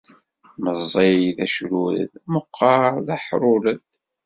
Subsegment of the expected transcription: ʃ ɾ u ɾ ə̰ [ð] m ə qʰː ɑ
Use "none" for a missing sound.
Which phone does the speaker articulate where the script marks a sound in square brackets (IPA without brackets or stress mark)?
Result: ð